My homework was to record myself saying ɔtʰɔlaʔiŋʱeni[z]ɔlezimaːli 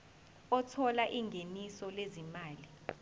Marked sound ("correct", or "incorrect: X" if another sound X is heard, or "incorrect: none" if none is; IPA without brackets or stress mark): incorrect: s